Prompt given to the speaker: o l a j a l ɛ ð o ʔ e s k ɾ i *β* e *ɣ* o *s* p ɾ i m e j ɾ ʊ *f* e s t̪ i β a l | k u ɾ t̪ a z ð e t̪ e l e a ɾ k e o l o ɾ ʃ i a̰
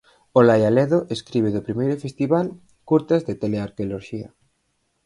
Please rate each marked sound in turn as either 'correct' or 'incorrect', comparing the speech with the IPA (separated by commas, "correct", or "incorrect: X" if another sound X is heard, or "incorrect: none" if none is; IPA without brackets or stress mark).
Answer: correct, incorrect: ð, incorrect: none, correct